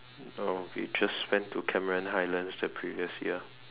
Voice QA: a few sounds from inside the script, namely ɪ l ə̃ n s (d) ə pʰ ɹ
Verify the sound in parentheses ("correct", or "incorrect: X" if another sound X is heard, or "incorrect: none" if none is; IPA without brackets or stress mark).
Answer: correct